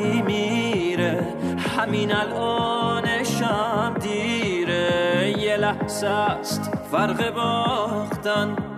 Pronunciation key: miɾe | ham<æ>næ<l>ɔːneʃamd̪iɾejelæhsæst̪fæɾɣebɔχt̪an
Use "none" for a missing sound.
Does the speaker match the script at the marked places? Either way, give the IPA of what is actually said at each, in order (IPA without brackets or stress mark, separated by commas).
i, l